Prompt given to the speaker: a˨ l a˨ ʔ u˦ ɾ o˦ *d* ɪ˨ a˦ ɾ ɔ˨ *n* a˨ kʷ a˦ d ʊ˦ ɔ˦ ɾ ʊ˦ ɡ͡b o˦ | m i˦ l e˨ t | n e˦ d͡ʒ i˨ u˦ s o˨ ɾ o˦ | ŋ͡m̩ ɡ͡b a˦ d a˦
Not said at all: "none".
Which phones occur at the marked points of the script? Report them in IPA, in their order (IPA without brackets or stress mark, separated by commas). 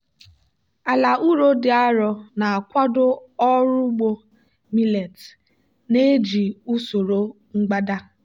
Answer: d, n